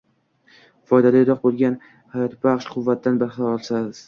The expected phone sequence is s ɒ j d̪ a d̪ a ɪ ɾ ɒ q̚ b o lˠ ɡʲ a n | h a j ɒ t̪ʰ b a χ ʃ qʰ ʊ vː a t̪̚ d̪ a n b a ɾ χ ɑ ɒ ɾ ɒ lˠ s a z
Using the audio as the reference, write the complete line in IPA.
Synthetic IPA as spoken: f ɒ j d̪ a d̪ a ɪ ɾ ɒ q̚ b o lˠ ɡʲ a n | h a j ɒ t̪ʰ b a χ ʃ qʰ ʊ vː a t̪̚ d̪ a n b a ɾ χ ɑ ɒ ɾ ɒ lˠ s a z